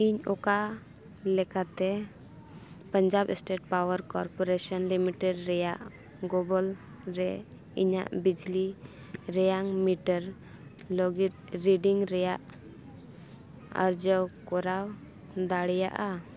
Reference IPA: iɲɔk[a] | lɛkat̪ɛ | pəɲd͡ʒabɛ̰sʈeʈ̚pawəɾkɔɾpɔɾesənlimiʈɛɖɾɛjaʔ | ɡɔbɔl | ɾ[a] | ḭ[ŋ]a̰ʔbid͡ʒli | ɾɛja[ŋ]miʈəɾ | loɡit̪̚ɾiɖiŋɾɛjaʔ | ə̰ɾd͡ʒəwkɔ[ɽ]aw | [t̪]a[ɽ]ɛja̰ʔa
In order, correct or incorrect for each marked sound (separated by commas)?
correct, incorrect, incorrect, correct, incorrect, incorrect, correct